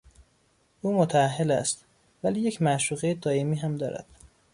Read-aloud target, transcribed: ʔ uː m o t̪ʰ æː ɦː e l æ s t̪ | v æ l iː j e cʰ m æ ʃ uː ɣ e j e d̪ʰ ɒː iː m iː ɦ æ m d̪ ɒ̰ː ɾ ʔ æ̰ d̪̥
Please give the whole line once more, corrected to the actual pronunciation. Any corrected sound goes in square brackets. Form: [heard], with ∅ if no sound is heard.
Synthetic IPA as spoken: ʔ uː m o t̪ʰ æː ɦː e l æ s t̪ | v æ l iː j e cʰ m æ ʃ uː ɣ e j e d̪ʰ ɒː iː m iː ɦ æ m d̪ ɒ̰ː ɾ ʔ æ̰ d̪̥